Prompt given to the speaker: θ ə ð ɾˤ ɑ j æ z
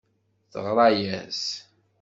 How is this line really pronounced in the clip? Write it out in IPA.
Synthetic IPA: θ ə ʁ ɾˤ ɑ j æ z